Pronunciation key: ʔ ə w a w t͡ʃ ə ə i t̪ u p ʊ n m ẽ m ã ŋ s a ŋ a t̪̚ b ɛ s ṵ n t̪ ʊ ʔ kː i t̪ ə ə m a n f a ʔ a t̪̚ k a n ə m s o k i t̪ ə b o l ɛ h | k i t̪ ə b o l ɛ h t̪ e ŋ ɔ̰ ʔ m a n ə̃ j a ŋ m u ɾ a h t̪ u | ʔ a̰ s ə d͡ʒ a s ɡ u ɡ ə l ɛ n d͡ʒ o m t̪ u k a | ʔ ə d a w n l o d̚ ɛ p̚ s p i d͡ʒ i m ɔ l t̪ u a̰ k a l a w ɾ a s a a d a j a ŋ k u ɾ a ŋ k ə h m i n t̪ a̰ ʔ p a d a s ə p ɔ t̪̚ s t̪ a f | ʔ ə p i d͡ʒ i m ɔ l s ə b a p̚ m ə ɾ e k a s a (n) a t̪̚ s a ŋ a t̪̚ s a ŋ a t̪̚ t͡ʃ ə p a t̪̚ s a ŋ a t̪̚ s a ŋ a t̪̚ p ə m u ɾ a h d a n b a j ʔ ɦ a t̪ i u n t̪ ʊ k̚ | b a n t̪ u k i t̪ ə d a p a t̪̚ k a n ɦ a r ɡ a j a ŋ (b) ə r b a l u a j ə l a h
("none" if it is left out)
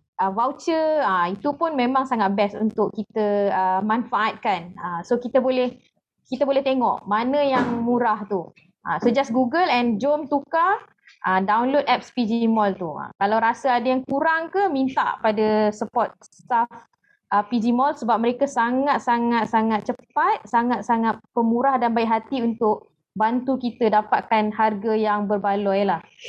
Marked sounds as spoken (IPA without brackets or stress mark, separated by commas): ŋ, b